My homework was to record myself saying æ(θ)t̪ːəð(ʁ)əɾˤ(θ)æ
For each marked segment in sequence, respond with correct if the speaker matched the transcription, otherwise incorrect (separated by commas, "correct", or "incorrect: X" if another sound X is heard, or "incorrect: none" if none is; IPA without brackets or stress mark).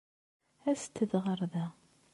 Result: incorrect: s, correct, incorrect: ð